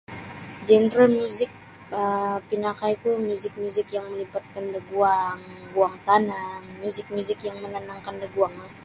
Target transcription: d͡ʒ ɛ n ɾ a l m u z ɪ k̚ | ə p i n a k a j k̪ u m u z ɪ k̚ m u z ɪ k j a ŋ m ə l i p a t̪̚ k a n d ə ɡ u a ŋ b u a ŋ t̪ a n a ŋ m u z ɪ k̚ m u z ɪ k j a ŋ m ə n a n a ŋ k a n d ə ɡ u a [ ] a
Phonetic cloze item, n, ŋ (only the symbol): ŋ